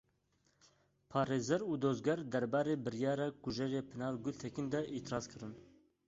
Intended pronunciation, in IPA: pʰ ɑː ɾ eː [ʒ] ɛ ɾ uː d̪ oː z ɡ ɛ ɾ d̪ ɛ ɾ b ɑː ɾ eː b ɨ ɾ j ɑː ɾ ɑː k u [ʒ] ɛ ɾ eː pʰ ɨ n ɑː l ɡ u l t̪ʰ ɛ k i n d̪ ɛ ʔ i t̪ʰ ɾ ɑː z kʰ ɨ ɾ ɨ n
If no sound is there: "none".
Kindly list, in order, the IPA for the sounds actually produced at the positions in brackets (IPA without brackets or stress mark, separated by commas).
z, ʒ